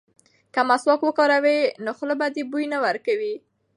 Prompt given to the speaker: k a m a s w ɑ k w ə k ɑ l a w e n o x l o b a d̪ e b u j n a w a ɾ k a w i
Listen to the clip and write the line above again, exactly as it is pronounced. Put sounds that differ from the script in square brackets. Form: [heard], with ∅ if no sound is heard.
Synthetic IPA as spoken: k a m a s w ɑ k w ə k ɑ [ɾ] a w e n o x l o b a d̪ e b u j n a w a ɾ k a w i